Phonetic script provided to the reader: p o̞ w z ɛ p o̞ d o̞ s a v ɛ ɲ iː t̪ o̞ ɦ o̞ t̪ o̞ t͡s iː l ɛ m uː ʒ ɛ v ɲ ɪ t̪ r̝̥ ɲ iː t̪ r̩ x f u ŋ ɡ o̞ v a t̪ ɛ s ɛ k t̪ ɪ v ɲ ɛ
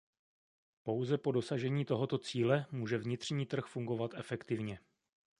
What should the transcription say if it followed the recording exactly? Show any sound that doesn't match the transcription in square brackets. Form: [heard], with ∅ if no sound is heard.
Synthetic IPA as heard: p o̞ w z ɛ p o̞ d o̞ s a [ʒ] ɛ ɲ iː t̪ o̞ ɦ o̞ t̪ o̞ t͡s iː l ɛ m uː ʒ ɛ v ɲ ɪ t̪ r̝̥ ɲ iː t̪ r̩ x f u ŋ ɡ o̞ v a t̪ ɛ [f] ɛ k t̪ ɪ v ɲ ɛ